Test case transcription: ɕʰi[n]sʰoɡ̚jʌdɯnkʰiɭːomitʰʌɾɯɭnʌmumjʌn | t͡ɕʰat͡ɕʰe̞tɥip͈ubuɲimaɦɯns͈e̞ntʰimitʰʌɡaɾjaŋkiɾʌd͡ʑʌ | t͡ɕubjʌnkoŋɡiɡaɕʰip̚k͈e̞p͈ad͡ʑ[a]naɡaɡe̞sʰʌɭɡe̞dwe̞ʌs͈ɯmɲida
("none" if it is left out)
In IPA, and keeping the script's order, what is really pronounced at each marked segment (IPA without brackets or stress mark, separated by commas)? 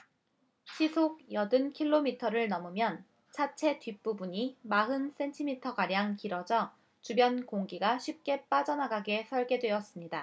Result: none, ʌ